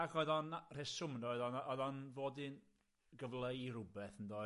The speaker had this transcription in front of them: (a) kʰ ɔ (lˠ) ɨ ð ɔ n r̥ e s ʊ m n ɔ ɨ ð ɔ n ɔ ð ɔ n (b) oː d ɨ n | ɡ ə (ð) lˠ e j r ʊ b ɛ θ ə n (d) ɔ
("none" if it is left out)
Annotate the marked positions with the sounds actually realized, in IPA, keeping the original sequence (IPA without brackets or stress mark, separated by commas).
a, none, v, v, d